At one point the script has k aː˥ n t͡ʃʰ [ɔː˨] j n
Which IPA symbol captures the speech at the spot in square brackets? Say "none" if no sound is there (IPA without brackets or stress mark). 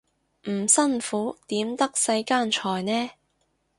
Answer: ɔː˨